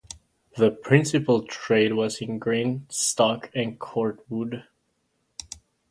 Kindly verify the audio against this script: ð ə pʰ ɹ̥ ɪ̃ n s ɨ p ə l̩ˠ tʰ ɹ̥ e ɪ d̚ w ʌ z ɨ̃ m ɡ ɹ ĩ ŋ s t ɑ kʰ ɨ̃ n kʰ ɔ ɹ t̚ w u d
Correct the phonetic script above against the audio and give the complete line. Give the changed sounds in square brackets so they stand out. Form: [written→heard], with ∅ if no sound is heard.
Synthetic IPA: ð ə pʰ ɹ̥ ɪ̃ n s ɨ p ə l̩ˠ tʰ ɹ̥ e ɪ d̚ w ʌ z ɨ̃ [m→n] ɡ ɹ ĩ [ŋ→n] s t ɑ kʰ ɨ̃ n kʰ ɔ ɹ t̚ w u d